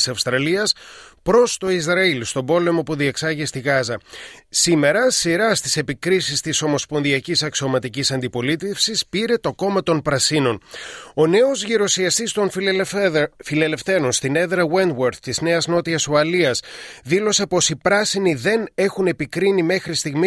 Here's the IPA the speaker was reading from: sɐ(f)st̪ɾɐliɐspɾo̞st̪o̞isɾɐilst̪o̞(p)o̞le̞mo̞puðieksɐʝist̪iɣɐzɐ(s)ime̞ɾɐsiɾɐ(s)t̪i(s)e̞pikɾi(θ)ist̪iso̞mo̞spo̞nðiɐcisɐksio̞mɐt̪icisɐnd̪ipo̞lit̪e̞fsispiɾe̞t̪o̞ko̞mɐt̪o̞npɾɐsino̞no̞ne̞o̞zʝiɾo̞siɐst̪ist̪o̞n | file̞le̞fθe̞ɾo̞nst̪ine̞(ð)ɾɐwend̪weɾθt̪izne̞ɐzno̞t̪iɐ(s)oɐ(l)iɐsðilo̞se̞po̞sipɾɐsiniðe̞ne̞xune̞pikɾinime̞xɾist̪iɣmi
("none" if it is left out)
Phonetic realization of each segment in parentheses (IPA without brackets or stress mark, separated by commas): f, b, s, s, s, s, ð, s, l